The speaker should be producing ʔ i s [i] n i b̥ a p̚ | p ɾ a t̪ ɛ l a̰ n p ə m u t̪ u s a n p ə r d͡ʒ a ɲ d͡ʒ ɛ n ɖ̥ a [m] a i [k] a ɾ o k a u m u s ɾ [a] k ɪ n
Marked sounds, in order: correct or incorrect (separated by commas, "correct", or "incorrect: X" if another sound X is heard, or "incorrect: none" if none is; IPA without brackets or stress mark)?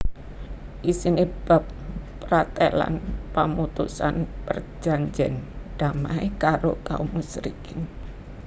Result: correct, correct, correct, incorrect: i